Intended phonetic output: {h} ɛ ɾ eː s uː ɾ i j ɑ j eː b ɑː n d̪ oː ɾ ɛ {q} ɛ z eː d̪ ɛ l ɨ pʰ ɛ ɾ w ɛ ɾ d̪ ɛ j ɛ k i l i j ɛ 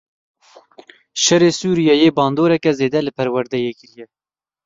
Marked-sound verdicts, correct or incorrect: incorrect: ʃ, incorrect: k

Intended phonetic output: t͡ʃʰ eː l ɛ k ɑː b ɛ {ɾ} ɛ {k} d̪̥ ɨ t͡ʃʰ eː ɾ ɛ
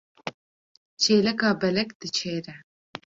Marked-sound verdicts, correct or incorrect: incorrect: l, correct

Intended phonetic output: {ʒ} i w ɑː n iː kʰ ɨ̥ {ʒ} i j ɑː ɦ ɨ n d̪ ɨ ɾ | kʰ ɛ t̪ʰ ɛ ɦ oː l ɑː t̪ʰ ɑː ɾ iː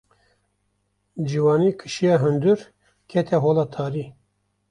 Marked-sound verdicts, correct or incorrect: incorrect: d͡ʒ, incorrect: ʃ

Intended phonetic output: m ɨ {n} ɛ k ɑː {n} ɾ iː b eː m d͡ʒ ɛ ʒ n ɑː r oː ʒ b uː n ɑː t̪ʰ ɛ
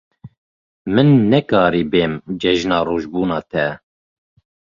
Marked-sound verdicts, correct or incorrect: incorrect: nː, incorrect: none

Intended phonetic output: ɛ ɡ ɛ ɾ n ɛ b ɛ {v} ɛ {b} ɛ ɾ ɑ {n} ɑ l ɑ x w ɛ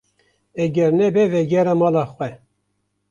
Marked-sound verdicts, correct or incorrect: correct, incorrect: ɡ, incorrect: m

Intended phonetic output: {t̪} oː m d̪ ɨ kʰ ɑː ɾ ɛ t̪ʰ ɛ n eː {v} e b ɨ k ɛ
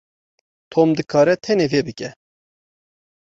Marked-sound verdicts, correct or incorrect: incorrect: t̪ʰ, correct

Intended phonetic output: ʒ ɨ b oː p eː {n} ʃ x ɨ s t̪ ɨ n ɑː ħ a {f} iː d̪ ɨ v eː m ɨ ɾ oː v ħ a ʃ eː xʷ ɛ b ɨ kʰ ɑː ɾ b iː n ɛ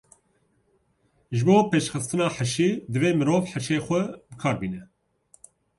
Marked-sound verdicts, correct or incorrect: incorrect: none, incorrect: ʃ

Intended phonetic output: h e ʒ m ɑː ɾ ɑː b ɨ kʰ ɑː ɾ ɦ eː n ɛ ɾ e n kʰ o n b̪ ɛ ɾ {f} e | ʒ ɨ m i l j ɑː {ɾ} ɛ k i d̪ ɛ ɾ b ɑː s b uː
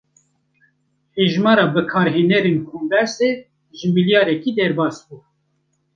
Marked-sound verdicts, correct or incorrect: incorrect: s, correct

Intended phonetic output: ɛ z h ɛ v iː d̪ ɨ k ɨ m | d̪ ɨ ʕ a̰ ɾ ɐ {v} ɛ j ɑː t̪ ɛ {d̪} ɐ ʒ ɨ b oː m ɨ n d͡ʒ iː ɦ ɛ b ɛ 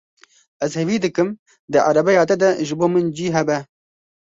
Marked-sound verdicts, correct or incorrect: incorrect: b, correct

